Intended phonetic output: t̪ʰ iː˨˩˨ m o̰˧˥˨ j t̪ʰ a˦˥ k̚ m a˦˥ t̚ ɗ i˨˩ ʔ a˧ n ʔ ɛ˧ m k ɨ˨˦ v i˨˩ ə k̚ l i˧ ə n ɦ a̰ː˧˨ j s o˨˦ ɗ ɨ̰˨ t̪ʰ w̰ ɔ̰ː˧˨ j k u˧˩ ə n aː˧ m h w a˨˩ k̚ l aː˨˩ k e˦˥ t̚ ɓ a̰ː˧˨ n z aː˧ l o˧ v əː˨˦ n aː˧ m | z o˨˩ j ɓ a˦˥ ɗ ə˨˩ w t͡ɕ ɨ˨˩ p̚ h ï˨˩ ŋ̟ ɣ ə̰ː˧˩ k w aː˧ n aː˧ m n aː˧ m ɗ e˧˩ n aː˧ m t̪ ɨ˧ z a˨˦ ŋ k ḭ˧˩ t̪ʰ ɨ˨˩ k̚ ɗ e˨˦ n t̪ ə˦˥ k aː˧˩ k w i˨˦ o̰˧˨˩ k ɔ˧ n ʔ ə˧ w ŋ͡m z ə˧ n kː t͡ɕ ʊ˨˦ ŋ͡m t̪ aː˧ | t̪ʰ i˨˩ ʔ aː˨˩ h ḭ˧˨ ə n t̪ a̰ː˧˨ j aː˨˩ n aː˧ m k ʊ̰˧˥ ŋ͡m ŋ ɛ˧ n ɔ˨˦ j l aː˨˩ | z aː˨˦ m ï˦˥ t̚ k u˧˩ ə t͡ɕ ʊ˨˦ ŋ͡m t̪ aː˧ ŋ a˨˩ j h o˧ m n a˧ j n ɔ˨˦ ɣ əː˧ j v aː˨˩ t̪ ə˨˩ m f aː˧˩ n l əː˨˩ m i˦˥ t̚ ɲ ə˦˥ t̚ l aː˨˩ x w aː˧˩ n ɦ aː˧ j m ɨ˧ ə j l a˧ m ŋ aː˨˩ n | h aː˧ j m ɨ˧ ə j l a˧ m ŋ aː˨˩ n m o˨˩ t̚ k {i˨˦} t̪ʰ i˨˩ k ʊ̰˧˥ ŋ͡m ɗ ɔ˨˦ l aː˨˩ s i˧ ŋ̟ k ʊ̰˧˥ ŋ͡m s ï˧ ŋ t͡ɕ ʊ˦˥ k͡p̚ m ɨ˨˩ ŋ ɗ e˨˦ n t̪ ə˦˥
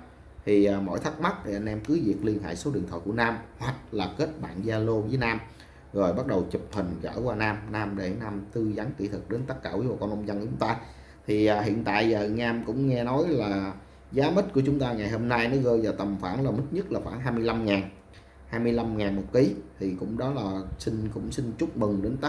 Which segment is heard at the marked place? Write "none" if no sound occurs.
i˨˦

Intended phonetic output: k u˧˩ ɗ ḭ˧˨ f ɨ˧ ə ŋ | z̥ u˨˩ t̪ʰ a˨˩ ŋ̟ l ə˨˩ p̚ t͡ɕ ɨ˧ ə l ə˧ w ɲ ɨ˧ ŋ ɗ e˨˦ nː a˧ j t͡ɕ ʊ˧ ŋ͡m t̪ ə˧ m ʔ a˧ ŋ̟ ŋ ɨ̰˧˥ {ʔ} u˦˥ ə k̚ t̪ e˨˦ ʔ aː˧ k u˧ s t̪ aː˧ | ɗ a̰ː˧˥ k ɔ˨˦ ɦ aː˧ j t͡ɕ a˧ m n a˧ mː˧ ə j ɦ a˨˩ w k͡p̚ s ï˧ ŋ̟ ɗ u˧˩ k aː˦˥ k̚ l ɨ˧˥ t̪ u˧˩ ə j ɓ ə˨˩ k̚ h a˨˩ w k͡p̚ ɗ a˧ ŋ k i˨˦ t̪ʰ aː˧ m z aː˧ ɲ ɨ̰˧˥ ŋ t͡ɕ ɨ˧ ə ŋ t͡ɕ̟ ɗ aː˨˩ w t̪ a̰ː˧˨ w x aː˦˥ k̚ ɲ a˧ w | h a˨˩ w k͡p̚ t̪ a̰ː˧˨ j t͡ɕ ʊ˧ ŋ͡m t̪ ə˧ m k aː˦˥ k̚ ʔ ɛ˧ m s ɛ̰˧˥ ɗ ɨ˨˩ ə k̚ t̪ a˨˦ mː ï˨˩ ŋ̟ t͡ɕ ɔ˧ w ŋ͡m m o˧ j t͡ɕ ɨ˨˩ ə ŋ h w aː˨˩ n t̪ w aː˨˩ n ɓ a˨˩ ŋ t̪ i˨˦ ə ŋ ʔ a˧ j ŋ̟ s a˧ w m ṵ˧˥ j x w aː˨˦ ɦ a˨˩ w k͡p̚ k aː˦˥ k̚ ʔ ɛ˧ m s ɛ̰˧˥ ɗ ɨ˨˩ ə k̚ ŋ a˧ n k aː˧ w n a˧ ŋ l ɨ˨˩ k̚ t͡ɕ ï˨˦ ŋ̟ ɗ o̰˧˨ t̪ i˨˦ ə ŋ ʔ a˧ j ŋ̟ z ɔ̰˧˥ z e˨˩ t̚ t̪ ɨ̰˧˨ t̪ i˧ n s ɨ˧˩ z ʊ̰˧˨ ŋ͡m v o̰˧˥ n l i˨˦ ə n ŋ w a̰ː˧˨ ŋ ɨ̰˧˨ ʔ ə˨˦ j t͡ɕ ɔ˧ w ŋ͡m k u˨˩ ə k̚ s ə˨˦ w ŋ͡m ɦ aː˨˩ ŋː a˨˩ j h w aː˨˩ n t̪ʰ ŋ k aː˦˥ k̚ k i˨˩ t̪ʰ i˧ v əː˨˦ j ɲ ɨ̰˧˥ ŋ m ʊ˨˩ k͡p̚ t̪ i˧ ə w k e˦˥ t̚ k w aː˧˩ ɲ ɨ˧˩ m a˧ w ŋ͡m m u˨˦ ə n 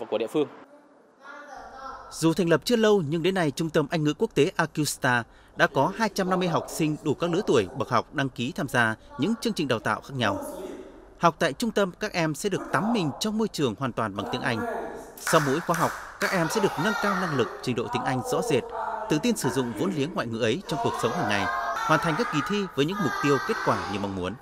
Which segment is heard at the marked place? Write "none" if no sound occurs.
k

